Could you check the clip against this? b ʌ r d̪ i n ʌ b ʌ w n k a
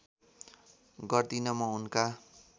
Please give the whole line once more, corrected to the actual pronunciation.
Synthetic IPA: ɡ ʌ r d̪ i n ʌ m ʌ u n k a